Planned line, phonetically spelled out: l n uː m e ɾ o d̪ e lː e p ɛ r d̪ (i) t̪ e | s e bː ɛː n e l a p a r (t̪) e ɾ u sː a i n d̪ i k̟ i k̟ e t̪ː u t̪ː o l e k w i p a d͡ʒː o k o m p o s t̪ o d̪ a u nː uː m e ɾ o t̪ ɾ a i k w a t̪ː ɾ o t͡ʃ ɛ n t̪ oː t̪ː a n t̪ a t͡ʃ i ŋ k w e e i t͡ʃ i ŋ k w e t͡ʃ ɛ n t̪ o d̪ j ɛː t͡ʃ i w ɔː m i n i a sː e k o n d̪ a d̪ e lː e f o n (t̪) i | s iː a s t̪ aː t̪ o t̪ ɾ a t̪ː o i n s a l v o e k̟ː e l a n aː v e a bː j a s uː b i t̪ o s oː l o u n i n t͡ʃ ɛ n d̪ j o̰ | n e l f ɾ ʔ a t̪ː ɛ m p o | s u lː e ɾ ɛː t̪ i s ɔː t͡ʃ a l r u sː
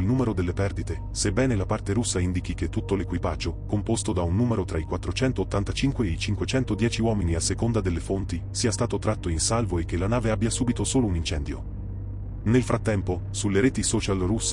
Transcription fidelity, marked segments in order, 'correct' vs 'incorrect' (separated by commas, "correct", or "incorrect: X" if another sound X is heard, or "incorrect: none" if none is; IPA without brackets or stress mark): correct, correct, correct